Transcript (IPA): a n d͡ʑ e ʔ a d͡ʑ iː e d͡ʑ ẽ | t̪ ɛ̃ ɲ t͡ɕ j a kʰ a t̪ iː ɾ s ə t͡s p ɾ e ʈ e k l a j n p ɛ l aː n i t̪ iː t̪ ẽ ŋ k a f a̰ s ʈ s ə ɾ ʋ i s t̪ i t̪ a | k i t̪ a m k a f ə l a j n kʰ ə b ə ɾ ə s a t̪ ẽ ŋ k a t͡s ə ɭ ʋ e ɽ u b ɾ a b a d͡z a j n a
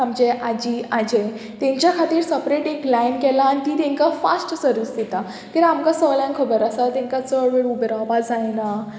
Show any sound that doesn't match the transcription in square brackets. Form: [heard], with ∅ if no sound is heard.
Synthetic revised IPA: a [m] d͡ʑ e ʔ a d͡ʑ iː [a] d͡ʑ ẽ | t̪ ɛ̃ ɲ t͡ɕ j a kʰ a t̪ iː ɾ s ə [∅] p ɾ e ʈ e k l a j n [k] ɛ l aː n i t̪ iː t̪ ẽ ŋ k a f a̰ s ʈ s ə ɾ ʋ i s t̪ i t̪ a | k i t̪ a m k a [s] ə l a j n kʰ ə b ə ɾ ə s a t̪ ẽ ŋ k a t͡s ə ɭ ʋ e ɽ u b ɾ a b a d͡z a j n a